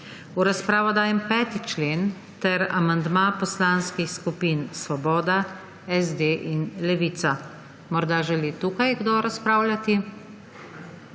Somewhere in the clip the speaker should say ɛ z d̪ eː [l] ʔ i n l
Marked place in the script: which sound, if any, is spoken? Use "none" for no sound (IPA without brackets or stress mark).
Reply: none